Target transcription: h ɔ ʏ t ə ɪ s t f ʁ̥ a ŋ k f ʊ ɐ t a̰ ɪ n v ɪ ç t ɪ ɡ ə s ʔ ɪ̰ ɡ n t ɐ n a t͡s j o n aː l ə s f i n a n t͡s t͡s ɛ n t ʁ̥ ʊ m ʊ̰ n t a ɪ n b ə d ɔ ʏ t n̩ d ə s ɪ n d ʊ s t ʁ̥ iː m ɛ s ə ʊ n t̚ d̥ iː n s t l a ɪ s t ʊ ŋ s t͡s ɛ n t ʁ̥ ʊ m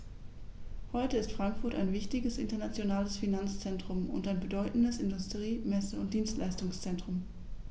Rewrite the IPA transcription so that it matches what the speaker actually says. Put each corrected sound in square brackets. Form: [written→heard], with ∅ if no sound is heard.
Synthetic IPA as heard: h ɔ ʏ t ə ɪ s t f ʁ̥ a ŋ k f ʊ ɐ t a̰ ɪ n v ɪ ç t ɪ ɡ ə s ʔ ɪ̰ [ɡ→∅] n t ɐ n a t͡s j o n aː l ə s f i n a n t͡s t͡s ɛ n t ʁ̥ ʊ m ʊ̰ n t a ɪ n b ə d ɔ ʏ t n̩ d ə s ɪ n d ʊ s t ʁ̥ iː m ɛ s ə ʊ n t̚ d̥ iː n s t l a ɪ s t ʊ ŋ s t͡s ɛ n t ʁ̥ ʊ m